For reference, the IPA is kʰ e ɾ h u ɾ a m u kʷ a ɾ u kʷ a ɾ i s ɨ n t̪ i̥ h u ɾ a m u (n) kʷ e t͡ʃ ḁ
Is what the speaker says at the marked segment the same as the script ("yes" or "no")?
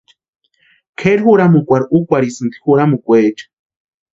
no